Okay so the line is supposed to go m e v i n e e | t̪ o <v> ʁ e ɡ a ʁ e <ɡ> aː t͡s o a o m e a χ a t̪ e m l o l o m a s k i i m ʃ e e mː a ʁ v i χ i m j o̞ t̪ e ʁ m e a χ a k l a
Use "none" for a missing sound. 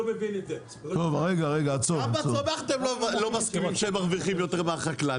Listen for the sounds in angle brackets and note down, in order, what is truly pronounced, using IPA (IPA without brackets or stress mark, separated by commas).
v, ɡ